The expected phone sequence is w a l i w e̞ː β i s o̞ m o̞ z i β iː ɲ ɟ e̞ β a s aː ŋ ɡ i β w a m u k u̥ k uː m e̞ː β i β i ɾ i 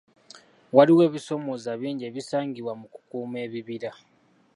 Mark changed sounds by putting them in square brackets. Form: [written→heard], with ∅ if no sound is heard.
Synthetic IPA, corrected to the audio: w a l i w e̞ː β i s o̞ m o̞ z [i→a] β iː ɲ ɟ e̞ β [a→i] s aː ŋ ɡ i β w a m u k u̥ k uː m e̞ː β i β i ɾ [i→a]